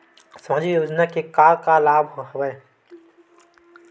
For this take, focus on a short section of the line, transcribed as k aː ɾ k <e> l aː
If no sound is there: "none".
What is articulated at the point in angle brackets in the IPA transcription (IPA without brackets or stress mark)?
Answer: a